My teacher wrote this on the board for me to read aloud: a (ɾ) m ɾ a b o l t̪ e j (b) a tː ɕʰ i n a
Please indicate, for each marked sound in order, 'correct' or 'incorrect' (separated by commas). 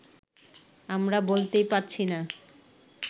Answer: incorrect, incorrect